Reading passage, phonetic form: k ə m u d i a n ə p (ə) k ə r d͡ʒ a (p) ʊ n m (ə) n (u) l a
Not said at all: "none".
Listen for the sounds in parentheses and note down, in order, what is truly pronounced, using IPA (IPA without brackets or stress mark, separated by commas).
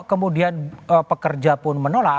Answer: ə, p, ə, o